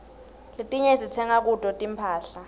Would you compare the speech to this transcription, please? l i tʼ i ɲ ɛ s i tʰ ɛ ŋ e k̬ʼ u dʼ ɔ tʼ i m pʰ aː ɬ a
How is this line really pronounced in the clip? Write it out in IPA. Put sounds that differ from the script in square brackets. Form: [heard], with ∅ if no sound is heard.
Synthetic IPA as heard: l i tʼ i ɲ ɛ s i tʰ ɛ ŋ [a] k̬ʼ u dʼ ɔ tʼ i m pʰ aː ɬ a